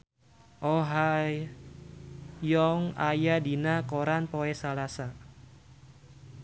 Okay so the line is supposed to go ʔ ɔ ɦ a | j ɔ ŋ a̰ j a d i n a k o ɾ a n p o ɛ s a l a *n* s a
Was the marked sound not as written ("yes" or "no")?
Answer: yes